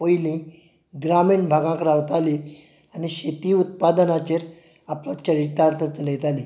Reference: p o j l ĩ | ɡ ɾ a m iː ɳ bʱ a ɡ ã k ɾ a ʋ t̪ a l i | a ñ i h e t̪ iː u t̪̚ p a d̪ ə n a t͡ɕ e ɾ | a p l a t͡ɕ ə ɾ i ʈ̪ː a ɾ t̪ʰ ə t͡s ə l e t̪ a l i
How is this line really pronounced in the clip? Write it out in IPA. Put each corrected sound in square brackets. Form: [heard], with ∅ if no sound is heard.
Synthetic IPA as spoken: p o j l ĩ | ɡ ɾ a m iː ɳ bʱ a ɡ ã k ɾ a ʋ t̪ a l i | a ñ i [ɕ] e t̪ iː u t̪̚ p a d̪ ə n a t͡ɕ e ɾ | a p l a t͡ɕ ə ɾ i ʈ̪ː a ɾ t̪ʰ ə t͡s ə l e t̪ a l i